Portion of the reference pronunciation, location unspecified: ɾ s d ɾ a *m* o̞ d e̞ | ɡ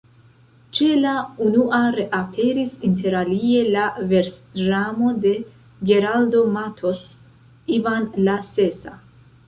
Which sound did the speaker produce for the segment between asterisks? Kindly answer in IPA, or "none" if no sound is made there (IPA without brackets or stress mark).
m